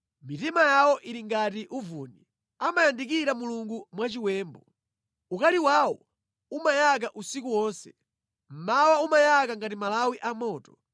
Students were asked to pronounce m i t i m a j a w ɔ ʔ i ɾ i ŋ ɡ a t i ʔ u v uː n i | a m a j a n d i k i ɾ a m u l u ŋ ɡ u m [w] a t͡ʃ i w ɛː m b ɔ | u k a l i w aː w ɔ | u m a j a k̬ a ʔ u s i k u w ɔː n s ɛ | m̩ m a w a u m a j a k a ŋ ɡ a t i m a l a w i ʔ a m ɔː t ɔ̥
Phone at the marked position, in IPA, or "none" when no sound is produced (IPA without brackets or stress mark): w